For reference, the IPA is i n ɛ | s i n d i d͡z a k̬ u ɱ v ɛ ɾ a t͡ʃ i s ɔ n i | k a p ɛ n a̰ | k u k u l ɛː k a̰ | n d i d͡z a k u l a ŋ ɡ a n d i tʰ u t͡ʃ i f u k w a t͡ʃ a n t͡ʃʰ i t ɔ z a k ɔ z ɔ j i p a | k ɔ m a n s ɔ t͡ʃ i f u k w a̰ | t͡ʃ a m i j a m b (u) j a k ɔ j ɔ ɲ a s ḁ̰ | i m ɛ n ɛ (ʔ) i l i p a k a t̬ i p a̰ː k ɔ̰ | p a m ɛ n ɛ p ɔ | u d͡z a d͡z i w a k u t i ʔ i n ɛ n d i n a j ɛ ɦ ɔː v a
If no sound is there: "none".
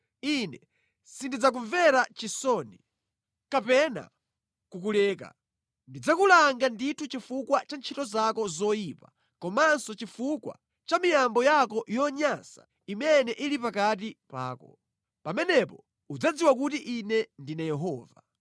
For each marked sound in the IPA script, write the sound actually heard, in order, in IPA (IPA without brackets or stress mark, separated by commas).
ɔ, ʔ